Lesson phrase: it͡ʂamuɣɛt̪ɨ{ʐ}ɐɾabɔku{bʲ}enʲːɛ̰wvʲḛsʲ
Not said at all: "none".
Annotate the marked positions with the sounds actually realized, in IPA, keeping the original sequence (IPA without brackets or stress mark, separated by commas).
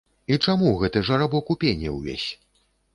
ʐ, pʲ